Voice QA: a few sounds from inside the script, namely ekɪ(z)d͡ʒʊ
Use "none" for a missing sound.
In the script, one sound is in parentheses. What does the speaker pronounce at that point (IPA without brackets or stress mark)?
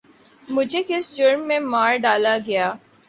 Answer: s